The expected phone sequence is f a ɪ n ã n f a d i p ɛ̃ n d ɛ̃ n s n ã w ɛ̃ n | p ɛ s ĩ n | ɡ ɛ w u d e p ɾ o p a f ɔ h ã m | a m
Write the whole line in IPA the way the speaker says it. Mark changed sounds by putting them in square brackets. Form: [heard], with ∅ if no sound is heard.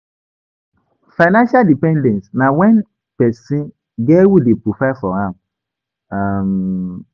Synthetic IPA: f a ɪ n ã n [ʃ] a d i p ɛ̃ n d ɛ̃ n s n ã w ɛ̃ n | p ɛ s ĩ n | ɡ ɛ w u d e p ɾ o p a f ɔ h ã m | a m